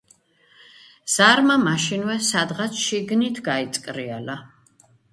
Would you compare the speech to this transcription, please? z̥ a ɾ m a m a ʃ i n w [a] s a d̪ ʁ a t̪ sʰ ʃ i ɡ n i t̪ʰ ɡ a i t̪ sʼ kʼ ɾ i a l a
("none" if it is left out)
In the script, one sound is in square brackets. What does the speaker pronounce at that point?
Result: ɛ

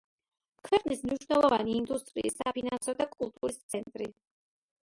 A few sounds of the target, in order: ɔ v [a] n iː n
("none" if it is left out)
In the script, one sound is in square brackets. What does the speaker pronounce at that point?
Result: a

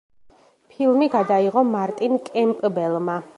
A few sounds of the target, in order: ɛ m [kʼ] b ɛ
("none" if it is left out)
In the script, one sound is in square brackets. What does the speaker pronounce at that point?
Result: pʼ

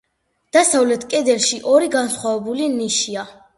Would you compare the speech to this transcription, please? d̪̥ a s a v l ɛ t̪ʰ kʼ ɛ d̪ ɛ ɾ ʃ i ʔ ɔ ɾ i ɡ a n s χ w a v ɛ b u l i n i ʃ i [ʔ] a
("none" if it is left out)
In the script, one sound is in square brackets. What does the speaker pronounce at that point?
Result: none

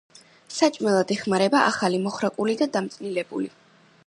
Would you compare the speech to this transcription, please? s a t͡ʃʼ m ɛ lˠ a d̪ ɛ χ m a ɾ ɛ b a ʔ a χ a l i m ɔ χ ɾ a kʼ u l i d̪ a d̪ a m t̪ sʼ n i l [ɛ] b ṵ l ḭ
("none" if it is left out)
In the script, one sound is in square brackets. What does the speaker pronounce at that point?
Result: ɛ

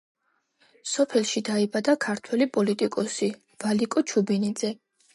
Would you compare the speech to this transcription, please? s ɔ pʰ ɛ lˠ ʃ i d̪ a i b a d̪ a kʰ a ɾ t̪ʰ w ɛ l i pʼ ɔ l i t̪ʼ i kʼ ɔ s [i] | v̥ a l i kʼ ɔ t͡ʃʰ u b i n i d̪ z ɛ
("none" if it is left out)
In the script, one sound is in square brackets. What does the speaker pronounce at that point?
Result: i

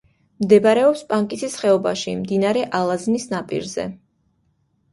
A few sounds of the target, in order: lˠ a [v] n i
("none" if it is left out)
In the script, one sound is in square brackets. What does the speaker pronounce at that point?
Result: z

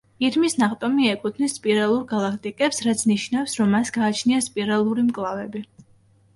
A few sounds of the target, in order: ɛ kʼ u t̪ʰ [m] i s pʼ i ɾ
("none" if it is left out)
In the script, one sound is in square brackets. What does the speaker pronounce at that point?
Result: n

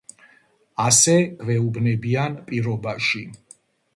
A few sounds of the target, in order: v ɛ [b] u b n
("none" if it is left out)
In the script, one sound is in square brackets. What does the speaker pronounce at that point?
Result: none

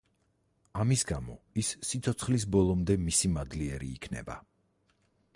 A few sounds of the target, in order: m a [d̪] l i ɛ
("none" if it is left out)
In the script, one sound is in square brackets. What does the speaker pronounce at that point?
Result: d̪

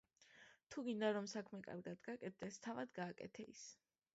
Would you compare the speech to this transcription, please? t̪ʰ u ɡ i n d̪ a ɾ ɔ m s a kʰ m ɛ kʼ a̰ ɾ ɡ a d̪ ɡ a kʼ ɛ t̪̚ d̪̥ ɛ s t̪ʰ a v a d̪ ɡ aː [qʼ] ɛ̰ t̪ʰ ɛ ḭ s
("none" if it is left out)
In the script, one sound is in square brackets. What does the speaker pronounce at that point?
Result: kʼ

